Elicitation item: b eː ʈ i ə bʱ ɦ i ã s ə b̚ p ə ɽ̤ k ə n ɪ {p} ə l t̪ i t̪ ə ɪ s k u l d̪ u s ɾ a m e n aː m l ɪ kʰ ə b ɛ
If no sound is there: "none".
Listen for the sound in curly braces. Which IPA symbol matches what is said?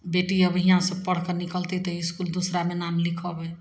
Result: k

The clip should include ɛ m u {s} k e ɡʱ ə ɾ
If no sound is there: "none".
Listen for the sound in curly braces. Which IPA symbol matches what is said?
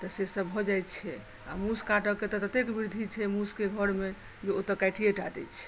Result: s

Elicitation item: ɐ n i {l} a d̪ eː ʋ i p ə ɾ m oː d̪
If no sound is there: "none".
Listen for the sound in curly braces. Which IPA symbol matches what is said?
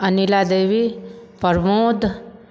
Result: l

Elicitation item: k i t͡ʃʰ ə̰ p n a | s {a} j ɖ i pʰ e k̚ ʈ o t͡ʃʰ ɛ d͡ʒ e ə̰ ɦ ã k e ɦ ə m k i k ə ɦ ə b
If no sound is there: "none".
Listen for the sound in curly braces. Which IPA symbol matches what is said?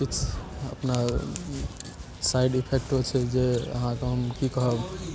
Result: a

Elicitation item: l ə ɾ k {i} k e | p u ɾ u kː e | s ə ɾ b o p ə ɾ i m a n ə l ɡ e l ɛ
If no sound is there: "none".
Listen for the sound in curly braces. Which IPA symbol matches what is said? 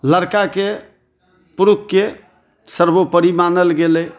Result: a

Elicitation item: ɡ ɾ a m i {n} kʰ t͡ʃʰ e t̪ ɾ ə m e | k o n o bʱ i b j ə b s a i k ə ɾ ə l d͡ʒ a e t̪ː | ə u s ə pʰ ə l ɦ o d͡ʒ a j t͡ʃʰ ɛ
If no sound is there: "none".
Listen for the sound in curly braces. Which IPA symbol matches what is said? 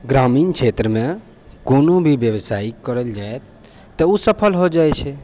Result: n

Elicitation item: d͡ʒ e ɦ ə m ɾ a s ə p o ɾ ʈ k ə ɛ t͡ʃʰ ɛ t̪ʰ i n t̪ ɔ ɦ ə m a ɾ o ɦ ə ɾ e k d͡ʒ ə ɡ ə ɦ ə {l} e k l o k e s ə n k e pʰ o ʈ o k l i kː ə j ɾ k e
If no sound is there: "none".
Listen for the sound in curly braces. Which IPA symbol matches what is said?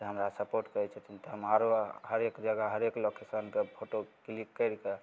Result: ɾ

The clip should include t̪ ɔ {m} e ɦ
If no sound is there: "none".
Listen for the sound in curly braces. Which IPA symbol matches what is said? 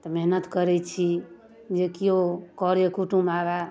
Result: m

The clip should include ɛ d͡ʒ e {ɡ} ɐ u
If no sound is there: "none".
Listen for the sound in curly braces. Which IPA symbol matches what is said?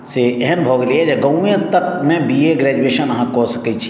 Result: ɡ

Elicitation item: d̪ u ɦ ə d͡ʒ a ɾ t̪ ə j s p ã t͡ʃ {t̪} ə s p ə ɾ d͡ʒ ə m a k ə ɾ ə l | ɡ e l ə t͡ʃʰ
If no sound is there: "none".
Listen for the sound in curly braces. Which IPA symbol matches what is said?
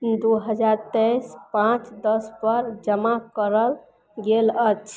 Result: d̪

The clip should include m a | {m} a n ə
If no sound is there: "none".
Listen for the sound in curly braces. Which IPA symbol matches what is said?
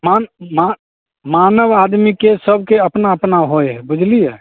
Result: m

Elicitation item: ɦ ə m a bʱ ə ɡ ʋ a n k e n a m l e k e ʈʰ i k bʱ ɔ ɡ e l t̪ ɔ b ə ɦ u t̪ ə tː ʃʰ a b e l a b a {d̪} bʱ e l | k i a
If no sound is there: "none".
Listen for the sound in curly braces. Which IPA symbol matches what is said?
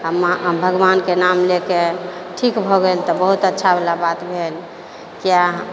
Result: t̪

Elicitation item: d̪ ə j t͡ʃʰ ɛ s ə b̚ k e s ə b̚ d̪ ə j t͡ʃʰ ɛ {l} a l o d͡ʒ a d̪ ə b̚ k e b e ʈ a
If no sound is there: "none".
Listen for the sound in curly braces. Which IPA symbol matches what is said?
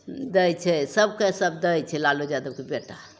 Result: l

